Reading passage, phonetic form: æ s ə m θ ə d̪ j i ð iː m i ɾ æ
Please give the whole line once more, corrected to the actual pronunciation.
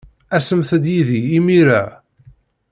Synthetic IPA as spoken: æ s ə m θ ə d̪ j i ð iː m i ɾ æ